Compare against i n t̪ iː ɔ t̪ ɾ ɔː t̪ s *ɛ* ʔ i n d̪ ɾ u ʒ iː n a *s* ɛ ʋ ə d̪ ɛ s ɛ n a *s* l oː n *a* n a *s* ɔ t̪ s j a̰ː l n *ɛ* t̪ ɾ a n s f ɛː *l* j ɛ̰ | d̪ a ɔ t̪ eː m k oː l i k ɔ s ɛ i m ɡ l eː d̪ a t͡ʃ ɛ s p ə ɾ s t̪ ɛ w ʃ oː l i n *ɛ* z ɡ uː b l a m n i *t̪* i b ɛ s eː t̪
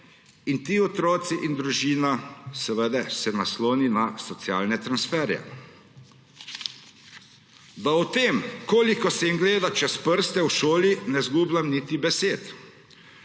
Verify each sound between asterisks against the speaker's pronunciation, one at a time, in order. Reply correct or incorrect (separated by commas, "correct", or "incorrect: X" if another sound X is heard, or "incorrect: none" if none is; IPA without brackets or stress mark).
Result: incorrect: i, correct, correct, incorrect: i, correct, correct, incorrect: ɾ, correct, correct